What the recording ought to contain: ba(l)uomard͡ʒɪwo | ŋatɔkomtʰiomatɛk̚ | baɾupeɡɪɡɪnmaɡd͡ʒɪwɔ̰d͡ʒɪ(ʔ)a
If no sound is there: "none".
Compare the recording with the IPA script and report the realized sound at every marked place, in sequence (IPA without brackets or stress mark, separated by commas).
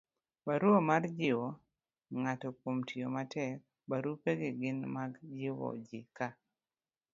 ɾ, k